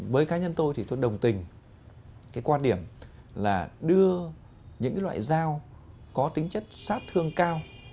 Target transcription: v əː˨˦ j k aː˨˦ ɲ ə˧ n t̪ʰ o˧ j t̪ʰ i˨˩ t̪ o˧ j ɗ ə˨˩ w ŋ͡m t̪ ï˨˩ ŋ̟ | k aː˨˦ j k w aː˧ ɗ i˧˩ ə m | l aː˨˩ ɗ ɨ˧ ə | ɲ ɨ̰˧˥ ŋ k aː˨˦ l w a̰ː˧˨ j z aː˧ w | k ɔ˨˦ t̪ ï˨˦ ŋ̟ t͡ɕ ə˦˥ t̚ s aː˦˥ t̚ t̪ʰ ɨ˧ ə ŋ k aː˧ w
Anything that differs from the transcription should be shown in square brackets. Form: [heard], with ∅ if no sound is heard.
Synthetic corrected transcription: v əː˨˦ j k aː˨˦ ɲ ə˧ n [t̪] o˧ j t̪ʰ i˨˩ t̪ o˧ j ɗ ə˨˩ w ŋ͡m t̪ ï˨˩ ŋ̟ | k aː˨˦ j k w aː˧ ɗ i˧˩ ə m | l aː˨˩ ɗ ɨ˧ ə | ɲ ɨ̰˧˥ ŋ k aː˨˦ l w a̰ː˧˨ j z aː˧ w | k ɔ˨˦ t̪ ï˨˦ ŋ̟ t͡ɕ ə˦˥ t̚ s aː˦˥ t̚ t̪ʰ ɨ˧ ə ŋ k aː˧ w